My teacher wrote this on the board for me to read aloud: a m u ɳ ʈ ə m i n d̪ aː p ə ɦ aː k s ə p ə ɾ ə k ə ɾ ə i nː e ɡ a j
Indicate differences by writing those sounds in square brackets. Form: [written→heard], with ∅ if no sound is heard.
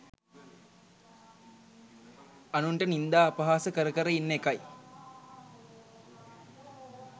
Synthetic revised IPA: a [m→n] u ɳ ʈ ə [m→n] i n d̪ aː p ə ɦ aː [k→∅] s ə [p→k] ə ɾ ə k ə ɾ ə i nː e [ɡ→k] a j

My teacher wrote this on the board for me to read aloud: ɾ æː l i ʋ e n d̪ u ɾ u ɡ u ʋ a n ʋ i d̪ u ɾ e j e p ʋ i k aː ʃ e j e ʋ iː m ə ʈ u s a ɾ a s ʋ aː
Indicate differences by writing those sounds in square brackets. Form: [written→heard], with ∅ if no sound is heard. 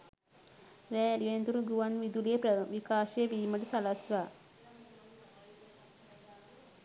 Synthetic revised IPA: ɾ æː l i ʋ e n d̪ u ɾ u ɡ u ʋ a n ʋ i d̪ u [ɾ→l] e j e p ʋ i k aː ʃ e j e ʋ iː m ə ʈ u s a [ɾ→l] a s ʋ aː

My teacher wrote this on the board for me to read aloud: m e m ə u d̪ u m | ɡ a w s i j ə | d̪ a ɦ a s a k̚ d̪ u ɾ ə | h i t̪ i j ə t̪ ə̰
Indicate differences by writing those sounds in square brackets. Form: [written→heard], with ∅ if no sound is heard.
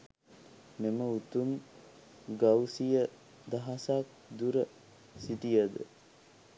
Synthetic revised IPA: m e m ə u [d̪→t̪] u m | ɡ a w s i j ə | d̪ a ɦ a s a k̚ d̪ u ɾ ə | [h→s] i t̪ i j ə [t̪→d̪] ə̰

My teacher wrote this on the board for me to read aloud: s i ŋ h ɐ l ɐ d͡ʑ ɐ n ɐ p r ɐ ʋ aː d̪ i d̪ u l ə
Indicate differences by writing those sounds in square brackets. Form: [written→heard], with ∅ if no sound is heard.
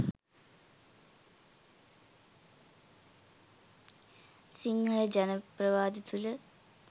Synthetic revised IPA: s i ŋ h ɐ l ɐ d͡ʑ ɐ n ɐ p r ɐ ʋ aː d̪ i [d̪→t̪] u l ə

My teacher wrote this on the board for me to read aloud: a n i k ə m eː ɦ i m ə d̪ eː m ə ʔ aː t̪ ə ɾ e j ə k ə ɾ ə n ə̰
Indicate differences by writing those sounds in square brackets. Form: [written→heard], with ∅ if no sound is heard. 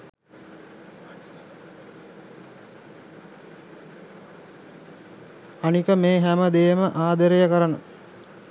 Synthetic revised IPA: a n i k ə m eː ɦ [i→æ] m ə d̪ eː m ə ʔ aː [t̪→d̪] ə ɾ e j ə k ə ɾ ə n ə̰

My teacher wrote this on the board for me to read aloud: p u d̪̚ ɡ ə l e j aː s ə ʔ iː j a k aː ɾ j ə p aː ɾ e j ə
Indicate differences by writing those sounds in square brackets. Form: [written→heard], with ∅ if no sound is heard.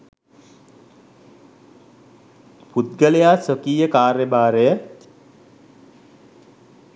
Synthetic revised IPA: p u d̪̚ ɡ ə l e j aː s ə [ʔ→k] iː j [a→ə] k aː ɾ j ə [p→b] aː ɾ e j ə

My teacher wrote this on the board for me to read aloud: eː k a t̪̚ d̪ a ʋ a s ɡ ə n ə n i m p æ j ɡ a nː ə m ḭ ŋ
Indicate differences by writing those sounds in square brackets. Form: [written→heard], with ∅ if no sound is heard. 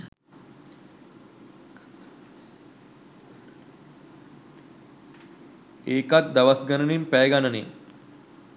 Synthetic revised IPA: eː k a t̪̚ d̪ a ʋ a s ɡ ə n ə n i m p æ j ɡ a [nː→n] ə [m→n] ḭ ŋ

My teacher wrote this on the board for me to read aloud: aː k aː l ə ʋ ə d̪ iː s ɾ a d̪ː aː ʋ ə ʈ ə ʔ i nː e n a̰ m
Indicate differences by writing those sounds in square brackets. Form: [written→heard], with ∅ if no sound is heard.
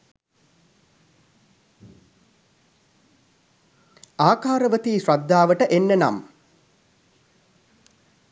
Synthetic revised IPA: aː k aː [l→ɾ] ə ʋ ə [d̪→t̪] iː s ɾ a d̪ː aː ʋ ə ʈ ə ʔ [i→e] nː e n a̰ m

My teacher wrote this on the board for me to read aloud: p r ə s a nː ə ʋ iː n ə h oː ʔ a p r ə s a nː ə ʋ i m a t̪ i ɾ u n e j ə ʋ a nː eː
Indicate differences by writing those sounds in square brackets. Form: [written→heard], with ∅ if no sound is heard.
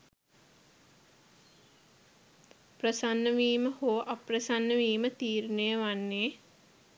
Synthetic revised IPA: p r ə s a nː ə ʋ iː [n→m] ə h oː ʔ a p r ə s a nː ə ʋ [i→iː] m [a→ə] t̪ [i→iː] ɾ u n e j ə ʋ a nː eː

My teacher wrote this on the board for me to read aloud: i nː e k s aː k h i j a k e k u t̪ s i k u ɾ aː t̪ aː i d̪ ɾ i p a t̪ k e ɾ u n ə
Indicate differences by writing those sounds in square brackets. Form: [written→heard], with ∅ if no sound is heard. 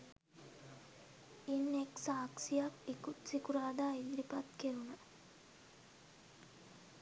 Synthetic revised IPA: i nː e k s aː k [h→s] i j a k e k u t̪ s i k u ɾ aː [t̪→d̪] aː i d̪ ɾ i p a t̪ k e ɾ u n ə

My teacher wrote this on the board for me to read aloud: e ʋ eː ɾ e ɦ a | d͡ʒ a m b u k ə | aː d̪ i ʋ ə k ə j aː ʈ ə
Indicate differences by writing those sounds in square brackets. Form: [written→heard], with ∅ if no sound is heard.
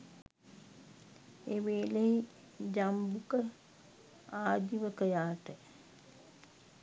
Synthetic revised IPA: e ʋ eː [ɾ→l] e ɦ [a→i] | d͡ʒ a m b u k ə | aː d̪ i ʋ ə k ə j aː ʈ ə

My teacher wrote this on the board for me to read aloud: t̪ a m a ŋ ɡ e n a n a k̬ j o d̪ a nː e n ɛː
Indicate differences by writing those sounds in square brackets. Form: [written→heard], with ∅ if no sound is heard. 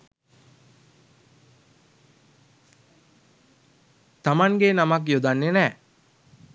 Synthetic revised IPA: t̪ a m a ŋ ɡ e n a [n→m] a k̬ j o d̪ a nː e n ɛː

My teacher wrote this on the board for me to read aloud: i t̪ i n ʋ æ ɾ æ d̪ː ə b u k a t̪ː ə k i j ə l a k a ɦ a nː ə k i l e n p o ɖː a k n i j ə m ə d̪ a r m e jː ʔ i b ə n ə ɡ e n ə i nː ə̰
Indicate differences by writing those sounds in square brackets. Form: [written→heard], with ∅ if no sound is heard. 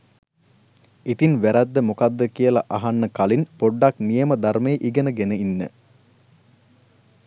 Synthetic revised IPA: i t̪ i n ʋ æ ɾ æ d̪ː ə [b→m] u k a [t̪ː→d̪ː] ə k i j ə l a [k→ʔ] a ɦ a nː ə k [i→a] l [e→i] n p o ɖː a k n i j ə m ə d̪ a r m e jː ʔ i [b→ɡ] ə n ə ɡ e n ə i nː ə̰

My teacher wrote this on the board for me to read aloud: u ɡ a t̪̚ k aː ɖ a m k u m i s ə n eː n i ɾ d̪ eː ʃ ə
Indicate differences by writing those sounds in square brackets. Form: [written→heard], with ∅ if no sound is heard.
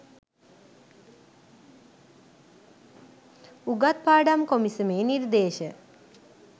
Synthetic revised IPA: u ɡ a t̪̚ [k→p] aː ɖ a m k [u→o] m i s ə [n→m] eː n i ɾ d̪ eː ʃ ə

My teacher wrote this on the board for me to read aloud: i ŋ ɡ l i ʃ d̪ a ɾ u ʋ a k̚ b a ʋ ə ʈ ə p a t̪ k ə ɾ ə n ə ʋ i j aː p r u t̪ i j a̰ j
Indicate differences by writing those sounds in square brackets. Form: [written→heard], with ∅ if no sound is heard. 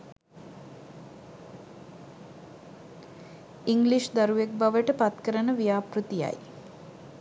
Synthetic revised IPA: i ŋ ɡ l i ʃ d̪ a ɾ u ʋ [a→e] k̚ b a ʋ ə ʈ ə p a t̪ k ə ɾ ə n ə ʋ i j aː p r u t̪ i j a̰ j

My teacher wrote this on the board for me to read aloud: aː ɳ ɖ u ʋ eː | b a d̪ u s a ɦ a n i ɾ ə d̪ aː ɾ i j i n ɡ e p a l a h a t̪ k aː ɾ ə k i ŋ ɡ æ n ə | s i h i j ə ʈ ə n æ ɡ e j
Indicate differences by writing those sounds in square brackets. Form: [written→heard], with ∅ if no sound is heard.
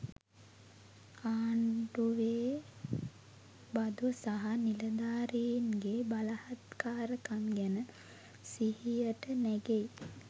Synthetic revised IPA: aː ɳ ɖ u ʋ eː | b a d̪ u s a ɦ a n i [ɾ→l] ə d̪ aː ɾ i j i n ɡ e [p→b] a l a h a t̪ k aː ɾ ə k [i→a] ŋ ɡ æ n ə | s i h i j ə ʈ ə n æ ɡ e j

